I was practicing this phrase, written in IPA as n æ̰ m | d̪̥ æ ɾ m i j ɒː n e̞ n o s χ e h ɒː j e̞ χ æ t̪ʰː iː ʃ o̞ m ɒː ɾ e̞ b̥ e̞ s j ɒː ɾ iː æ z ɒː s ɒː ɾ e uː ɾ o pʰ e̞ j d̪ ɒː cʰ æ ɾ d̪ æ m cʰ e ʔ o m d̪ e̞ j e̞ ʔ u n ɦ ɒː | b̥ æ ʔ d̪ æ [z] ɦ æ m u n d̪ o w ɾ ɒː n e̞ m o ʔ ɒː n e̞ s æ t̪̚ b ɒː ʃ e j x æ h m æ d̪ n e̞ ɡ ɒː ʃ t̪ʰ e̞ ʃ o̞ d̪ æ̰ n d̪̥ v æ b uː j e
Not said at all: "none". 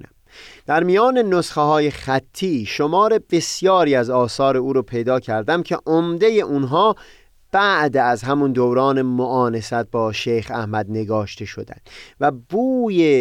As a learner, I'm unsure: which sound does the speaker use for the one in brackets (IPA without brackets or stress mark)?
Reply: z